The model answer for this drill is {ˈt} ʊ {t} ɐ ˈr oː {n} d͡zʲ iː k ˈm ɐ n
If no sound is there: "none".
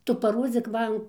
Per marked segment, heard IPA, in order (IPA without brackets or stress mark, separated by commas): t, p, none